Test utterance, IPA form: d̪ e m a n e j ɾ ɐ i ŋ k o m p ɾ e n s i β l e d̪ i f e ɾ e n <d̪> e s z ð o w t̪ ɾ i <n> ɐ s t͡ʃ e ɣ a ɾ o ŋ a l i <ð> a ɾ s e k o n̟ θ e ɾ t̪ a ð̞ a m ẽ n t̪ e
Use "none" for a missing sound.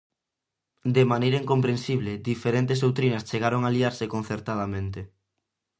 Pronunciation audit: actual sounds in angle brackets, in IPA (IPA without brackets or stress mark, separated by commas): t̪, n, none